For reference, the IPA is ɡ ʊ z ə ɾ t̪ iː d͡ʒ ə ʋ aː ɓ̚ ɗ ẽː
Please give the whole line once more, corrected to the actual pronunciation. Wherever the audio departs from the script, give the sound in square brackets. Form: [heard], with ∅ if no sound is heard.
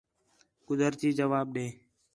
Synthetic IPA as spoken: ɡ ʊ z ə ɾ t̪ iː d͡ʒ ə ʋ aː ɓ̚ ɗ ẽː